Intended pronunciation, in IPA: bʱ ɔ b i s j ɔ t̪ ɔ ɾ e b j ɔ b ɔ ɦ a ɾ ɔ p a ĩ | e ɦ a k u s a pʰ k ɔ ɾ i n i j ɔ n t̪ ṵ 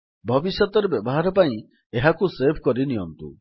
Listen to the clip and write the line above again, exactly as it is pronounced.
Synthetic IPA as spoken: bʱ ɔ b i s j ɔ t̪ ɔ ɾ e b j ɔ b ɔ ɦ a ɾ ɔ p a ĩ | e ɦ a k u s e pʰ k ɔ ɾ i n i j ɔ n t̪ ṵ